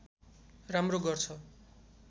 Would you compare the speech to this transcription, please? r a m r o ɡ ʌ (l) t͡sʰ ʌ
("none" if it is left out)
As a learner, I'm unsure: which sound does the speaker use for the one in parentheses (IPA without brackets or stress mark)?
r